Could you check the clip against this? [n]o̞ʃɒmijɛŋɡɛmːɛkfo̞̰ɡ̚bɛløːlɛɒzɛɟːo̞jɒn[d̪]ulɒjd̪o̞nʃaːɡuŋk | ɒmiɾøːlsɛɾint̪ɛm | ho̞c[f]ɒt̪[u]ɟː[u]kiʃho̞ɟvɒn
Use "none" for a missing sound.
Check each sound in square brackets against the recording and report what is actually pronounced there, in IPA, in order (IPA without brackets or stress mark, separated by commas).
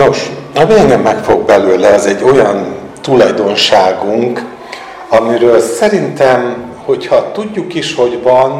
n, t̪, h, u, u